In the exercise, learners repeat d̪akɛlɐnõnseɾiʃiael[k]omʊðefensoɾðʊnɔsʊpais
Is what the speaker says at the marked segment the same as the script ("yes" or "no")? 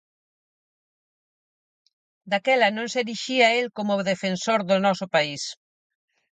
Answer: yes